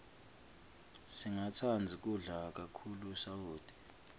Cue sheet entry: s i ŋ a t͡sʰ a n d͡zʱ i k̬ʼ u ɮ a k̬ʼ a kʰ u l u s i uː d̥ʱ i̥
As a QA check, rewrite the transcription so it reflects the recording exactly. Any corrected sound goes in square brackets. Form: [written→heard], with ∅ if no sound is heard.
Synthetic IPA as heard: s i ŋ a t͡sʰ a n d͡zʱ i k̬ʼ u ɮ a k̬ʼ a kʰ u l u s [i→a] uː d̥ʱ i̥